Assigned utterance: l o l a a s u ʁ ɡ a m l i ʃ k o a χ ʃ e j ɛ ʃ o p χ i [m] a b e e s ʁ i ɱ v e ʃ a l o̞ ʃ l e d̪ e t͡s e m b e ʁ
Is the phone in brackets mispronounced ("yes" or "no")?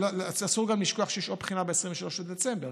yes